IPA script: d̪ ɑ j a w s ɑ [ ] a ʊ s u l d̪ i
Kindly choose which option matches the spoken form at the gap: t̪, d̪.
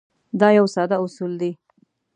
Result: d̪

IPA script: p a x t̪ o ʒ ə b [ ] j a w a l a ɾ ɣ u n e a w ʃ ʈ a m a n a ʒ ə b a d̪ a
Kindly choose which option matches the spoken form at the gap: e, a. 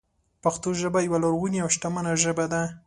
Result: a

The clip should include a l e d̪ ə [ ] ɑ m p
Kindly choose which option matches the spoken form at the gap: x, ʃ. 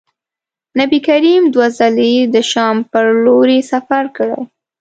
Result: ʃ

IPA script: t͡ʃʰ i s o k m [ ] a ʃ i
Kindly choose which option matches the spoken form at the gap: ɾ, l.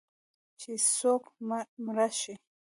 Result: ɾ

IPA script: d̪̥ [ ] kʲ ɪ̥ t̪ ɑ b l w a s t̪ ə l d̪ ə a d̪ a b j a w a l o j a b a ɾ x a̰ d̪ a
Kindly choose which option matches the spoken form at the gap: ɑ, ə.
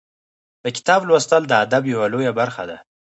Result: ə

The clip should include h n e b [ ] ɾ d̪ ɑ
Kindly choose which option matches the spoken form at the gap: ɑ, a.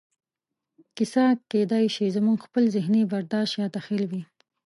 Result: a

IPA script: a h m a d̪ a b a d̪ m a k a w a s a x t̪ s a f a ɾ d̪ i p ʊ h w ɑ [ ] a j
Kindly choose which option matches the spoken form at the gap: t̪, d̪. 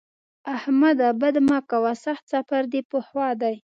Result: d̪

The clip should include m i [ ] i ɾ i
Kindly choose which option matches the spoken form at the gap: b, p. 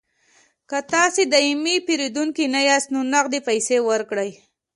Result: p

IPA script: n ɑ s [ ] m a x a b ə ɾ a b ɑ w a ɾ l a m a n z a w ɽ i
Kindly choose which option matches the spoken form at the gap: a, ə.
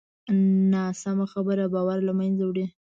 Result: a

